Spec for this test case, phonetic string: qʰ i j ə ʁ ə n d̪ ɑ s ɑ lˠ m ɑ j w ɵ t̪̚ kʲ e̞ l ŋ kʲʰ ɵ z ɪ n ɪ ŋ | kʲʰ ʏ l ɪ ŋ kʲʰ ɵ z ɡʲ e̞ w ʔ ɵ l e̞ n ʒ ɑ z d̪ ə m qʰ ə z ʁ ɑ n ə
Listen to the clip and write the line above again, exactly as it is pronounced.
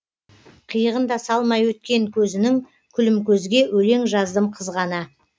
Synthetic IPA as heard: qʰ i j ə ʁ ə n d̪ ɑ s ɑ lˠ m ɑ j w ɵ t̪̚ kʲ e̞ ŋ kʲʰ ɵ z ɪ n ɪ ŋ | kʲʰ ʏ l ɪ m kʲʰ ɵ z ɡʲ e̞ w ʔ ɵ l e̞ ŋ ʒ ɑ z d̪ ə m qʰ ə z ʁ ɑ n ə